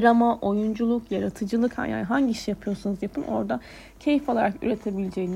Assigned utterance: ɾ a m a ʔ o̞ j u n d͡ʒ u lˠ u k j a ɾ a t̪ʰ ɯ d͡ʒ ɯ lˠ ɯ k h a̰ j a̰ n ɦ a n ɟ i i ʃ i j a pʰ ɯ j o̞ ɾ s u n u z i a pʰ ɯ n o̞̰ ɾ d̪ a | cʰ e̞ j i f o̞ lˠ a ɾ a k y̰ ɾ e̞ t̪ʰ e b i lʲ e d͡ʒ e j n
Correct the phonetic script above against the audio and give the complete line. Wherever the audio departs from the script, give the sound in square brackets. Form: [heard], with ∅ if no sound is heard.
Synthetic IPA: ɾ a m a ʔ o̞ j u n d͡ʒ u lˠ u k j a ɾ a t̪ʰ ɯ d͡ʒ ɯ lˠ ɯ k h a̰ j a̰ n ɦ a [ɲ] ɟ i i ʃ i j a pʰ ɯ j o̞ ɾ s u n u z [j] a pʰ ɯ n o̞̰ ɾ d̪ a | cʰ e̞ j i f o̞ lˠ a ɾ a k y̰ ɾ e̞ t̪ʰ e b i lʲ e d͡ʒ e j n